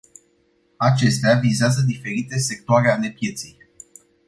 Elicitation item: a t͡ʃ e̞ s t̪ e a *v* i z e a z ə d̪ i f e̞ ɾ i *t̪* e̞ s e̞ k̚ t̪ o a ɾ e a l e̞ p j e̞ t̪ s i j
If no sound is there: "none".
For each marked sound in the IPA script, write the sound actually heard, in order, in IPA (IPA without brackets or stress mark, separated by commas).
v, t̪